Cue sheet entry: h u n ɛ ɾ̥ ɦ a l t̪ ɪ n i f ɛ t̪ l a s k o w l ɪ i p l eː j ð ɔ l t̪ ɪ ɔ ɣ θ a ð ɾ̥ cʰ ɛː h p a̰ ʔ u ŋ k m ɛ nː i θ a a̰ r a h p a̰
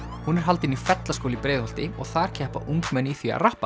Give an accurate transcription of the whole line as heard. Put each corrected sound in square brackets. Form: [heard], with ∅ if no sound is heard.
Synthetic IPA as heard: h u n ɛ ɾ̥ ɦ a l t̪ ɪ n i f ɛ t̪ l a s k o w l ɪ i p [ɾ] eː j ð ɔ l t̪ ɪ ɔ ɣ θ a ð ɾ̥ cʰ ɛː h p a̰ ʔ u ŋ k m ɛ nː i θ [i] a̰ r a h p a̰

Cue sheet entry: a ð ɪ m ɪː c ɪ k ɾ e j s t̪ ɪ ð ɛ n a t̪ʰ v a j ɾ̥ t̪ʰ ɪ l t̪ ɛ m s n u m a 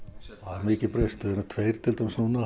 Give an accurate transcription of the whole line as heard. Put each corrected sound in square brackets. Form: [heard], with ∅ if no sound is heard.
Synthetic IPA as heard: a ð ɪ m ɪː c ɪ [p] ɾ e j s t̪ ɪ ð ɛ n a t̪ʰ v [e] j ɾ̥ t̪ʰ ɪ l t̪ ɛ m s n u [n] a

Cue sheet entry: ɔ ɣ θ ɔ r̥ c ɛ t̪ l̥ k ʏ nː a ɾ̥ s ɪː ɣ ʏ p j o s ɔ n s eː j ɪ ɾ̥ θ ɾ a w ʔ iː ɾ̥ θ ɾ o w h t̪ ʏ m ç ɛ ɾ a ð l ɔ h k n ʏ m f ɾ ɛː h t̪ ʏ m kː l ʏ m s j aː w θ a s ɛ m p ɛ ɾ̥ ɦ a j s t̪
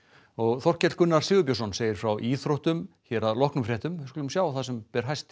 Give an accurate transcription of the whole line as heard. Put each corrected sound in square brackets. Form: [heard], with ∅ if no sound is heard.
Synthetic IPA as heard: ɔ ɣ θ ɔ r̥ c ɛ t̪ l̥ k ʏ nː a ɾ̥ s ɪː ɣ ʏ p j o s ɔ n s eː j ɪ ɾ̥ [f] ɾ a w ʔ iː [∅] θ ɾ o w h t̪ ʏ m ç ɛ ɾ a ð l ɔ h k n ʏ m f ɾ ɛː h t̪ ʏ m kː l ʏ m s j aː w θ a s ɛ m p ɛ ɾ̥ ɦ a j s t̪

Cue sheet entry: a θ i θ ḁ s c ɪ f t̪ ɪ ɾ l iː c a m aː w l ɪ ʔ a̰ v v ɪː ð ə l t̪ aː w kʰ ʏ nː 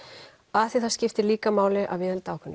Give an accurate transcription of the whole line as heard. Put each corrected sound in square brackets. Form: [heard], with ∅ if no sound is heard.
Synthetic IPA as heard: a θ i θ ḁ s c ɪ f t̪ ɪ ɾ l iː [k] a m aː w l ɪ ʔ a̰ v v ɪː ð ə l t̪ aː w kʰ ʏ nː

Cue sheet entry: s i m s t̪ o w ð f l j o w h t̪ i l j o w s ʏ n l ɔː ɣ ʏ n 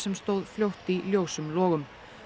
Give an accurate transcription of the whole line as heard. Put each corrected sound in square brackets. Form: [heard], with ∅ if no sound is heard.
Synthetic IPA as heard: s [ɛ] m s t̪ o w ð f l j o w h t̪ i l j o w s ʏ [m] l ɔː ɣ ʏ [m]

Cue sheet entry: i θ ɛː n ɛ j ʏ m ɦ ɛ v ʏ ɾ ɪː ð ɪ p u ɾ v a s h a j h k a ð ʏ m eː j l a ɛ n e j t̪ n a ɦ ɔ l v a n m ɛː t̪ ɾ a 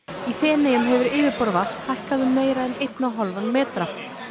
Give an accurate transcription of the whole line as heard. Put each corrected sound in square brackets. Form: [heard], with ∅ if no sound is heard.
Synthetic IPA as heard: i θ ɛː n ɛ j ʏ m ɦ ɛ v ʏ ɾ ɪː [v] ɪ p [ɔ] ɾ v a s h a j h k a ð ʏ m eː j [ɾ] a ɛ n e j t̪ n a ɦ ɔ l v a n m ɛː t̪ ɾ a

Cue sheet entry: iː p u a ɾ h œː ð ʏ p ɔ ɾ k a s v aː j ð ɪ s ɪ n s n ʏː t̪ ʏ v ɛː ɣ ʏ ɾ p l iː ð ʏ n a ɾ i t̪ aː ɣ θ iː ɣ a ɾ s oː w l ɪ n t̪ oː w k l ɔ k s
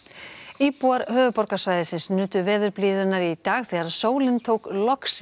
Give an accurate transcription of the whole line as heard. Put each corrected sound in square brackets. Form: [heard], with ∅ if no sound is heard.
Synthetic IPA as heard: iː p u a ɾ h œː [v] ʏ p ɔ ɾ k a s v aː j ð ɪ s ɪ n s n ʏː t̪ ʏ v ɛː [ð] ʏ ɾ p l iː ð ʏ n a ɾ i t̪ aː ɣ θ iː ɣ a ɾ s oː w l ɪ n [t̪ʰ] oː w k l ɔ k s

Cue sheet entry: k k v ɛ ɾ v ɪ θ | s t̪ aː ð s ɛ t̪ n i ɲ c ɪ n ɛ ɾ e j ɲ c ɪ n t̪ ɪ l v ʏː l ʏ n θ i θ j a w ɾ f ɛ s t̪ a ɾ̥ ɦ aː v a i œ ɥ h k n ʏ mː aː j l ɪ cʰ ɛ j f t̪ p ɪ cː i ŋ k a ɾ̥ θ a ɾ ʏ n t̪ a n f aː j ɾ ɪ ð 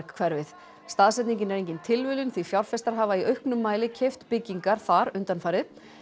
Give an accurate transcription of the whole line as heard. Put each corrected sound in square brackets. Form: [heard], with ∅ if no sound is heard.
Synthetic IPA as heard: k [kʰ] v ɛ ɾ v ɪ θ | s t̪ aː ð s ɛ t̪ n i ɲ c ɪ n ɛ ɾ e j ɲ c ɪ n [t̪ʰ] ɪ l v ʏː l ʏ n θ i [f] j a w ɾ f ɛ s t̪ a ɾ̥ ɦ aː v a i œ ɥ h k n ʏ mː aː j l ɪ cʰ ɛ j f t̪ p ɪ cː i ŋ k a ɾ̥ θ a ɾ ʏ n t̪ a n f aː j ɾ ɪ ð

